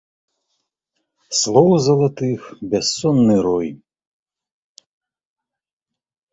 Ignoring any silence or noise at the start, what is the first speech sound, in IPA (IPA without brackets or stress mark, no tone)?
s